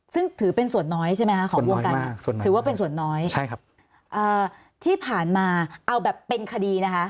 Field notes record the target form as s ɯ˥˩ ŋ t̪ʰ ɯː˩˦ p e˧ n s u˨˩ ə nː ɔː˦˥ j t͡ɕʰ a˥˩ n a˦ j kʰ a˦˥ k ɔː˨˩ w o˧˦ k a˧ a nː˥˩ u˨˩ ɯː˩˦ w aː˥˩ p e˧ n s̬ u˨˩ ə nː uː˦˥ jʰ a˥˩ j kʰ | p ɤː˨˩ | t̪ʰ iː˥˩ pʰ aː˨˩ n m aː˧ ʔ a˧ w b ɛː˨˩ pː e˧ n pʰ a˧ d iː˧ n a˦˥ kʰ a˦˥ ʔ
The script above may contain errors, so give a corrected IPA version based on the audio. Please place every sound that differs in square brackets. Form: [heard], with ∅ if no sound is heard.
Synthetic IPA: s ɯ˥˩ ŋ t̪ʰ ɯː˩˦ p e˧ n s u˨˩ ə nː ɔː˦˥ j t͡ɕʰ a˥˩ [m] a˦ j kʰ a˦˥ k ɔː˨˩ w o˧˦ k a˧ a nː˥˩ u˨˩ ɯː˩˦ w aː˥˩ p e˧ n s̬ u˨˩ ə nː [ɔː˦˥] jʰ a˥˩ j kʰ | [ʔ] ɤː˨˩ | t̪ʰ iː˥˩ pʰ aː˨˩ n m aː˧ ʔ a˧ w b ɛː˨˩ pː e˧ n [kʰ] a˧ d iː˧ n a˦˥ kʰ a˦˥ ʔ